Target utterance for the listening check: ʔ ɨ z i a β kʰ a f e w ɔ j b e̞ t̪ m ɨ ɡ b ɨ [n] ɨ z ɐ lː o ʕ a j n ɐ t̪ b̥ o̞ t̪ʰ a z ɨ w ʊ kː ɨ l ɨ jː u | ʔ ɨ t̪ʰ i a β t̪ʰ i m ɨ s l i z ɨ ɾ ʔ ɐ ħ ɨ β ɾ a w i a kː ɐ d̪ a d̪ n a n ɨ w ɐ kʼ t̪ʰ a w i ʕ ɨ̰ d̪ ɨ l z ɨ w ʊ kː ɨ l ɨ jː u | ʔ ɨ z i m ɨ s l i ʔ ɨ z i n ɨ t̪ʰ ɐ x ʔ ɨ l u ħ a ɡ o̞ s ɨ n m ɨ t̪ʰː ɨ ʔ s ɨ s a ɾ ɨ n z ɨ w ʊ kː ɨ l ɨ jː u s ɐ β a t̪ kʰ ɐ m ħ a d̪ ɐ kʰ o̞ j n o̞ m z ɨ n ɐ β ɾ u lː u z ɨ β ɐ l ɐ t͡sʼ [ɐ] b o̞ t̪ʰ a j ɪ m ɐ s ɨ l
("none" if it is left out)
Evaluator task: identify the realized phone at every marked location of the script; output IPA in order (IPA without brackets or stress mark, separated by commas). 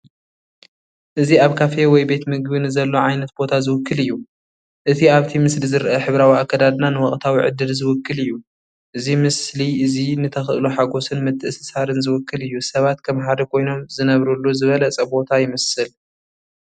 n, ɐ